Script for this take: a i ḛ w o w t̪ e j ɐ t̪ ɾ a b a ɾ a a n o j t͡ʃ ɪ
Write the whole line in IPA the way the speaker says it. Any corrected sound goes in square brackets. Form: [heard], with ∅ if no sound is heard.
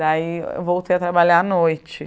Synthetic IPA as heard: a i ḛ [v] o w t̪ e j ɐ t̪ ɾ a b a [ʎ] a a n o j t͡ʃ ɪ

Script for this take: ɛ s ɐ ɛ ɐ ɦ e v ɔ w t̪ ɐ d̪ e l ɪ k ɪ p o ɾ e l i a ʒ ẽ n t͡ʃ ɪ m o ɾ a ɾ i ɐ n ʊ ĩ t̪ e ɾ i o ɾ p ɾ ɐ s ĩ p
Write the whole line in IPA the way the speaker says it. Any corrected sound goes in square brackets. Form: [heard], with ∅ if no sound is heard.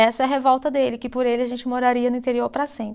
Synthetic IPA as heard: ɛ s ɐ ɛ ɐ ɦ e v ɔ w t̪ ɐ d̪ e l ɪ k ɪ p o ɾ e l [ɪ] a ʒ ẽ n t͡ʃ ɪ m o ɾ a ɾ i ɐ n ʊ ĩ t̪ e ɾ i o ɾ p ɾ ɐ s [ẽ] p

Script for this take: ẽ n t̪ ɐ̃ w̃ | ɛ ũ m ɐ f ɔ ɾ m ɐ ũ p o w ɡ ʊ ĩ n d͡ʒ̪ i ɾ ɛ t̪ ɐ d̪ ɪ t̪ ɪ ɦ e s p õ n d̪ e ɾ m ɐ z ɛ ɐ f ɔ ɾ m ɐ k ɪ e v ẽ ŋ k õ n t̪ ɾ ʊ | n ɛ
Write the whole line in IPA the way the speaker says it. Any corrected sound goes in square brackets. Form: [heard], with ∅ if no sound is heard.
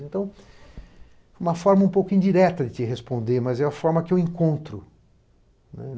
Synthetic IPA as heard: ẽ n t̪ ɐ̃ w̃ | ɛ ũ m ɐ f ɔ ɾ m ɐ ũ p o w [k] ʊ ĩ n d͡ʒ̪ i ɾ ɛ t̪ ɐ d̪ ɪ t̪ ɪ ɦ e s p õ n d̪ e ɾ m ɐ z ɛ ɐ f ɔ ɾ m ɐ k ɪ e [w] ẽ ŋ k õ n t̪ ɾ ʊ | n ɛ

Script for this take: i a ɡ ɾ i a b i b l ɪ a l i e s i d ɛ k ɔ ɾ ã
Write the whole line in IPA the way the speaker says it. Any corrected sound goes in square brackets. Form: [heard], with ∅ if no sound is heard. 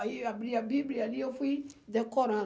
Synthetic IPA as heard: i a [b] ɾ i a b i b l [i] a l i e [f] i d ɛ k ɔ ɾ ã

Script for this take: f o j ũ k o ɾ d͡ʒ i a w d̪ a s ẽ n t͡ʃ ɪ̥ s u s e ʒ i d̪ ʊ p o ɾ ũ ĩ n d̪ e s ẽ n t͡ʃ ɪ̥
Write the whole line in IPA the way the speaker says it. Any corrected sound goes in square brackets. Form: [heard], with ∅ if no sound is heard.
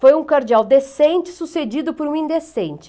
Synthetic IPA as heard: f o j ũ k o ɾ d͡ʒ i a w d̪ [e] s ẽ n t͡ʃ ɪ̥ s u s e [d͡ʒ] i d̪ ʊ p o ɾ ũ ĩ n d̪ e s ẽ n t͡ʃ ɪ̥

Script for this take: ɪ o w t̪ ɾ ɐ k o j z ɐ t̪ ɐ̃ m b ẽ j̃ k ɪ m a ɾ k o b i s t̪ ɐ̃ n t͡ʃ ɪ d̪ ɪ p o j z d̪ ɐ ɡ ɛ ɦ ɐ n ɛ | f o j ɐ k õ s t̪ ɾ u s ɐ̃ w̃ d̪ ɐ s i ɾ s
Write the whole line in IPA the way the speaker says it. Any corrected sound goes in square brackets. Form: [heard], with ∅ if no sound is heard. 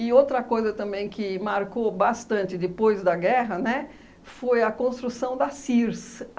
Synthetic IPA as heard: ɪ o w t̪ ɾ ɐ k o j z ɐ t̪ ɐ̃ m b ẽ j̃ k ɪ m a ɾ k o b [a] s t̪ ɐ̃ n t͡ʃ ɪ d̪ ɪ p o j z d̪ ɐ ɡ ɛ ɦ ɐ n ɛ | f o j ɐ k õ s t̪ ɾ u s ɐ̃ w̃ d̪ ɐ s i ɾ s

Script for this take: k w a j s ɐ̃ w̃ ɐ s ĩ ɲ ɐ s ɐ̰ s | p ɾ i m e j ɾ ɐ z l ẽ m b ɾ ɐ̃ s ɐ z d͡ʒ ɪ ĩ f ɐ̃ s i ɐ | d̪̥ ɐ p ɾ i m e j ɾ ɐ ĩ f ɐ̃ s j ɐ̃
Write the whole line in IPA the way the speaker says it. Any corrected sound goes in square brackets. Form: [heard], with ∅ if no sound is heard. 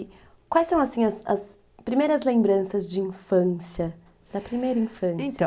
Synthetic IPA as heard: k w a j s ɐ̃ w̃ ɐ s ĩ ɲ ɐ s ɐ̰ s | p ɾ i m e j ɾ ɐ z l ẽ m b ɾ ɐ̃ s ɐ z d͡ʒ ɪ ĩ f ɐ̃ s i ɐ | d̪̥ ɐ p ɾ i m e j ɾ ɐ ĩ f ɐ̃ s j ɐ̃

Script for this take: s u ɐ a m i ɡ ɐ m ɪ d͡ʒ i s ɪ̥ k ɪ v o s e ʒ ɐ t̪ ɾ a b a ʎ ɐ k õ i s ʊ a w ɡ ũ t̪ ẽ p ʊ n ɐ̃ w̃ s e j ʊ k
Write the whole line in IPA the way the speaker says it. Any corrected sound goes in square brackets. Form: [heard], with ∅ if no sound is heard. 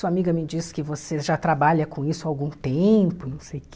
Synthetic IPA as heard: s u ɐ a m i ɡ ɐ m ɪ d͡ʒ i s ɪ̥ k ɪ v o s e ʒ [a] t̪ ɾ a b a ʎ ɐ k õ i s ʊ a w ɡ ũ t̪ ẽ p ʊ n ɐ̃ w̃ s e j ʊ k

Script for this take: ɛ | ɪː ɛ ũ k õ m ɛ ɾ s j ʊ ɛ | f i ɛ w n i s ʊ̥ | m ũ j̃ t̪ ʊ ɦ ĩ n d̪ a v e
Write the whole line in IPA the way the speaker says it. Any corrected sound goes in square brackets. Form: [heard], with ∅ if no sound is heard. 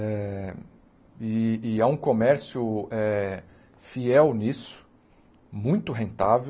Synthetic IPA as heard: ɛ | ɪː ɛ ũ k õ m ɛ ɾ s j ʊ ɛ | f i ɛ w n i s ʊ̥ | m ũ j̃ t̪ ʊ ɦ [ẽ] n [t̪] a v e

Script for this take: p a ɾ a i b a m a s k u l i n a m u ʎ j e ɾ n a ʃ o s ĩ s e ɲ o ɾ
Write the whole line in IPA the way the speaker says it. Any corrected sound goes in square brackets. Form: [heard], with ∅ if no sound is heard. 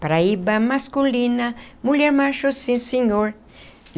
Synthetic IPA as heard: p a ɾ a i b a m a s k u l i n a m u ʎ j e ɾ [m] a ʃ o s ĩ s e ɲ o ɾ

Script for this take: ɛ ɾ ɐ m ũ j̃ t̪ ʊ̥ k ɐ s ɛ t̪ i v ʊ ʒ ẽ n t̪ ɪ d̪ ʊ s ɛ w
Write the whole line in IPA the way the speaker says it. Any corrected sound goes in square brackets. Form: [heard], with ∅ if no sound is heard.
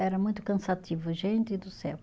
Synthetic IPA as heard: ɛ ɾ ɐ m ũ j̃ t̪ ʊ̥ k [ɐ̃] s [a] t̪ i v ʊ ʒ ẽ n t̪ ɪ d̪ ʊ s ɛ w

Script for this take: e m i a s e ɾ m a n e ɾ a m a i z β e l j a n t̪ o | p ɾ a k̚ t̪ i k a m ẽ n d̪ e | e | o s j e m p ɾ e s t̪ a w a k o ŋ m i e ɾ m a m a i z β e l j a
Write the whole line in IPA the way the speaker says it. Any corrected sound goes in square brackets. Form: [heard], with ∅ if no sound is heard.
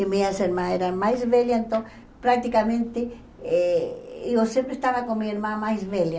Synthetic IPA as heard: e m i a s e ɾ m a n e ɾ a m a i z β e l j a n t̪ o | p ɾ a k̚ t̪ i k a m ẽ n [t̪] e | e | o s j e m p ɾ e s t̪ a [β] a k o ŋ m i e ɾ m a m a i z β e l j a

